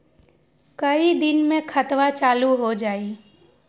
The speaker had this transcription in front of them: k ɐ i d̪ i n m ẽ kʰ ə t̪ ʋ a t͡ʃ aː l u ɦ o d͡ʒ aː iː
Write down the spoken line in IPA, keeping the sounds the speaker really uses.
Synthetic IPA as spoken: k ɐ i d̪ ɪ n m ẽ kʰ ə t̪ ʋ a t͡ʃ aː l u ɦ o d͡ʒ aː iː